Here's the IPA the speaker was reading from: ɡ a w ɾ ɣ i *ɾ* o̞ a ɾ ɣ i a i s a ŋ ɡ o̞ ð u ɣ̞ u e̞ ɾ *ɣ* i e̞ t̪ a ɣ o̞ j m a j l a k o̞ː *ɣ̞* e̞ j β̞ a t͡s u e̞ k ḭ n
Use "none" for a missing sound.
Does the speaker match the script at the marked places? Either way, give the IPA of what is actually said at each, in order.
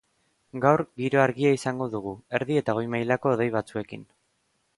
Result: ɾ, ð, ð̞

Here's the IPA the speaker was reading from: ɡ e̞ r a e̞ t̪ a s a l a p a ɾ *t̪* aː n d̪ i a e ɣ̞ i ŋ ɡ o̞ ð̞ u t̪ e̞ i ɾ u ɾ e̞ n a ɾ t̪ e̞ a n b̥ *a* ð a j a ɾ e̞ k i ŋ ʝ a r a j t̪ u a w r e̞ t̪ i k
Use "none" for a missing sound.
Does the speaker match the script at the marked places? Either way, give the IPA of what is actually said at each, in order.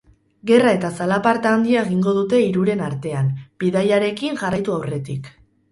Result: t̪, i

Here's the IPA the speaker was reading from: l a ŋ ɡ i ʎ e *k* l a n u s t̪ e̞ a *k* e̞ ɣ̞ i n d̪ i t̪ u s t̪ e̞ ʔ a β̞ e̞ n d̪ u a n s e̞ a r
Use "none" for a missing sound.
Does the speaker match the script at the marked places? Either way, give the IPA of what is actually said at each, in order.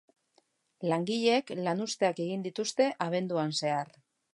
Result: k, k

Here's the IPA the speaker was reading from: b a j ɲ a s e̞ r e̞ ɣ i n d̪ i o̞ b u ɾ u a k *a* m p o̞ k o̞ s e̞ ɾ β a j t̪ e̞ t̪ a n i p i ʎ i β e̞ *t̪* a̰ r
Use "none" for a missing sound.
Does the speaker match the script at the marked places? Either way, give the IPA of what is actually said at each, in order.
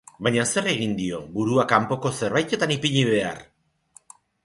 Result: a, none

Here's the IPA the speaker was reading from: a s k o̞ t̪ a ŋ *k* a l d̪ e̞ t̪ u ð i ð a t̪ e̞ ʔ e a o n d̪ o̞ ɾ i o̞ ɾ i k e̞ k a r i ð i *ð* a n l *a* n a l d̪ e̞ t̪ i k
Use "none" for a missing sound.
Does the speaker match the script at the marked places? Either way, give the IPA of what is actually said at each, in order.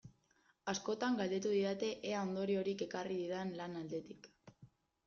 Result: ɡ, ð, a

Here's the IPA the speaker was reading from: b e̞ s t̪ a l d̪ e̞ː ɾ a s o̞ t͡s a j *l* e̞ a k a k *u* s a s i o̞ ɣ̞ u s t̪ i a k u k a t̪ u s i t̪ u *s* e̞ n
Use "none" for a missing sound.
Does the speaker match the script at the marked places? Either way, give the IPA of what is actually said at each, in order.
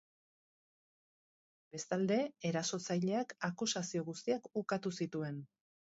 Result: ʎ, u, none

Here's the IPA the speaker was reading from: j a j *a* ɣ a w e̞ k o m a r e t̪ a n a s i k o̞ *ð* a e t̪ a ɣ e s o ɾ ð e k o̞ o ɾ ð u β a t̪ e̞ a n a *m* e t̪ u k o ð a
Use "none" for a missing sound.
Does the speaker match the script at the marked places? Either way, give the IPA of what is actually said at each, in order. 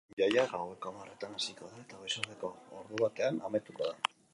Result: a, ð, m

